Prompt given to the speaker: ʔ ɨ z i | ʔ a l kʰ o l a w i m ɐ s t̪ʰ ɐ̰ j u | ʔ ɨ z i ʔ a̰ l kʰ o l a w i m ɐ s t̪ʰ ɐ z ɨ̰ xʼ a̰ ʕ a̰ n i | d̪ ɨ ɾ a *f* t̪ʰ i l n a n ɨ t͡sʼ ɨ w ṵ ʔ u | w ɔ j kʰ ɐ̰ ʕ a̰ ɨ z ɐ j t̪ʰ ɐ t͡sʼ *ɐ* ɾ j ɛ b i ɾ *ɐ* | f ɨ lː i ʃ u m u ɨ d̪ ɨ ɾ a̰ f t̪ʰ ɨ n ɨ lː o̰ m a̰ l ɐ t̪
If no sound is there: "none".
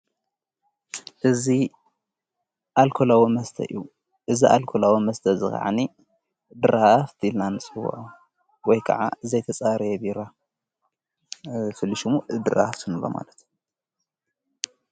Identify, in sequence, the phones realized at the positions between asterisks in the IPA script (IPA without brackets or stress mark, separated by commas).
f, a, a